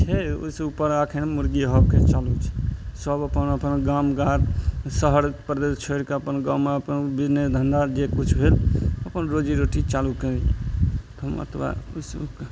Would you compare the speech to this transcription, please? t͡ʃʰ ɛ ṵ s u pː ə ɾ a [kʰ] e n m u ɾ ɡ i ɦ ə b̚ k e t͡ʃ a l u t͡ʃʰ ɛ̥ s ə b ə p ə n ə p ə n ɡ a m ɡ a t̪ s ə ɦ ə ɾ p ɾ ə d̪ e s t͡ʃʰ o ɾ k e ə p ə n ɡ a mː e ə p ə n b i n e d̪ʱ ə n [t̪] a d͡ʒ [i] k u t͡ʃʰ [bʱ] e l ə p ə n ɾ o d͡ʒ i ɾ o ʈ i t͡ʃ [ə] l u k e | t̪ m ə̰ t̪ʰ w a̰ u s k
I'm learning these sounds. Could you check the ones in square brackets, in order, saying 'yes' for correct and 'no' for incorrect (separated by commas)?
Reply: yes, no, no, yes, no